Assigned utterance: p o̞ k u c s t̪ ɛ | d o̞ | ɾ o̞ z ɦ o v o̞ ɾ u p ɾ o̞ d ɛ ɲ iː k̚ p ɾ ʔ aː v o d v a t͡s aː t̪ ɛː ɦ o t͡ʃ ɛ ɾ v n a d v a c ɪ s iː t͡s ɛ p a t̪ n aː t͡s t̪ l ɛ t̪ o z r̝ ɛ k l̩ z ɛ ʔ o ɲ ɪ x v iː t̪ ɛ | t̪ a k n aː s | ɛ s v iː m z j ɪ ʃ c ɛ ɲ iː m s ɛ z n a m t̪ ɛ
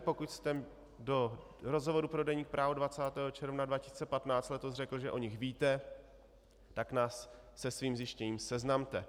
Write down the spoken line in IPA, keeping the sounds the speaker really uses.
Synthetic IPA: p o̞ k u c s t̪ ɛ | d o̞ | ɾ o̞ z ɦ o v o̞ ɾ u p ɾ o̞ d ɛ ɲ iː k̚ p ɾ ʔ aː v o d v a t͡s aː t̪ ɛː ɦ o t͡ʃ ɛ ɾ v n a d v a c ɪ s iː t͡s ɛ p a t̪ n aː t͡s t̪ l ɛ t̪ o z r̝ ɛ k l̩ ʒ ɛ ʔ o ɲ ɪ x v iː t̪ ɛ | t̪ a k n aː sː | ɛ s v iː m z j ɪ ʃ c ɛ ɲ iː m s ɛ z n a m t̪ ɛ